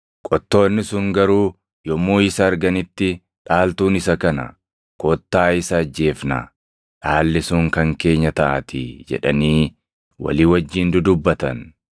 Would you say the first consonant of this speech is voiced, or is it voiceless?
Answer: voiceless